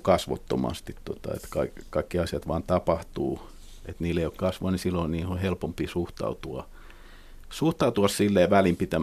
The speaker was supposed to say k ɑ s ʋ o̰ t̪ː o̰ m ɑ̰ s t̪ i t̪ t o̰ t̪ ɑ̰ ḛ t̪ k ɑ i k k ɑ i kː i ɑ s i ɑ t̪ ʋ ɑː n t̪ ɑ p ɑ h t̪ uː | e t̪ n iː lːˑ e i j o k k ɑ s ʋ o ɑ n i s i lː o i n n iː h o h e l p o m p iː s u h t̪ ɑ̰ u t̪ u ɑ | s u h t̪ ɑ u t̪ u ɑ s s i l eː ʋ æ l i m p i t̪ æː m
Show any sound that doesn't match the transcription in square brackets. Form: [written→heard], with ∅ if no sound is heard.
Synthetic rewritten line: k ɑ s ʋ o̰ t̪ː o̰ m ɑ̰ s t̪ i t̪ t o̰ t̪ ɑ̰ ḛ t̪ k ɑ i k k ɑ i kː i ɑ s i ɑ t̪ ʋ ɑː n t̪ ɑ p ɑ h t̪ uː | e t̪ n iː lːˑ e i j o k k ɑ s ʋ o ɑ n i s i lː o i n n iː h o h e l p o m p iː s u h t̪ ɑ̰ u t̪ u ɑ | s u h t̪ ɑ u t̪ u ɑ s s i [l→lː] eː ʋ æ l i m p i t̪ [æː→æ] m